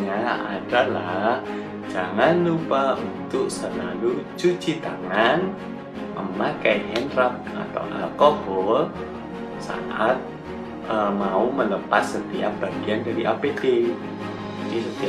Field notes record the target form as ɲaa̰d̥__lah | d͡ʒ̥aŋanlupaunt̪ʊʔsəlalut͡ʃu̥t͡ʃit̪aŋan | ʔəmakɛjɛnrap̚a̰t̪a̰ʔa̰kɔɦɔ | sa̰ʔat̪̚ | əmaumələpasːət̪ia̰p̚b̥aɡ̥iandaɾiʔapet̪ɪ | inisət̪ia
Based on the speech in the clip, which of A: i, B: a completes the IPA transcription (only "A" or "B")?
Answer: B